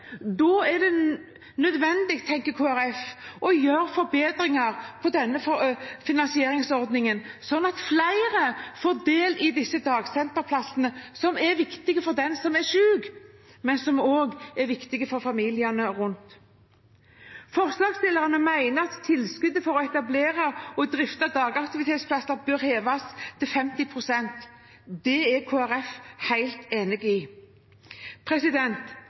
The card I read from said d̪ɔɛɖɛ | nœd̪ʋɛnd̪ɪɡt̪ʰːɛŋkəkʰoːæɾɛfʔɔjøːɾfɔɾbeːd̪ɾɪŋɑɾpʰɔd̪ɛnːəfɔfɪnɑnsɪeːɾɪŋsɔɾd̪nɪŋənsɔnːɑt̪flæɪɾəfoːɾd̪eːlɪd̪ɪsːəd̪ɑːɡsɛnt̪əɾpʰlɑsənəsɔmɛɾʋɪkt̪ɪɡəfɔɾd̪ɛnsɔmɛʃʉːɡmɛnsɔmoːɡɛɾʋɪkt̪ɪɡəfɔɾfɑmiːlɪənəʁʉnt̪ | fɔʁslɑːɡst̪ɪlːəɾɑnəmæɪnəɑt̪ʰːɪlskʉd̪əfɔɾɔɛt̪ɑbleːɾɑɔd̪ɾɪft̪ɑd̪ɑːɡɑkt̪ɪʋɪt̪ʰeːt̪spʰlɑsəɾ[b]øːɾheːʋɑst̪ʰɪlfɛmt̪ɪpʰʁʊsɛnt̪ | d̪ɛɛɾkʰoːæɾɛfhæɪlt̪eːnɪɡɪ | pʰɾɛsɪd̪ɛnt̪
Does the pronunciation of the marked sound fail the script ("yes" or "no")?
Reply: no